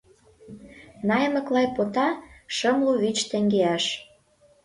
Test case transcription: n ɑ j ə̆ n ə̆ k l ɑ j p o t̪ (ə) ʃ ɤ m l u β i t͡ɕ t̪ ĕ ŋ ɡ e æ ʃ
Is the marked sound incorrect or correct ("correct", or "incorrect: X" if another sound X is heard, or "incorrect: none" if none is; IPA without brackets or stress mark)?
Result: incorrect: ɑ